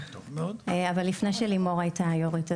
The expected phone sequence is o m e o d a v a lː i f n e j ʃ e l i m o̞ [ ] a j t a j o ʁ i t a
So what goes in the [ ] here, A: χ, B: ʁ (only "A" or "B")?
B